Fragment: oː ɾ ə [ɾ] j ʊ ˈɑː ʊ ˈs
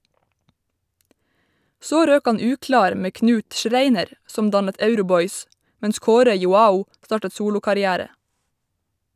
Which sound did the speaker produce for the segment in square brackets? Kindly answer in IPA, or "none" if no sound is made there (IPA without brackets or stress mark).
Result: none